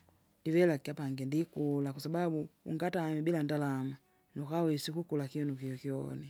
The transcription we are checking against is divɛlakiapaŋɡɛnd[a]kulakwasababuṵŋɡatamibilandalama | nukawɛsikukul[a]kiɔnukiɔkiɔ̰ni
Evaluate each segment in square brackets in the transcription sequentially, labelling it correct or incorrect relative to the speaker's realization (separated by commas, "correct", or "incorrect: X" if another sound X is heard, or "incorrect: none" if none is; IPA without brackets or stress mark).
incorrect: i, correct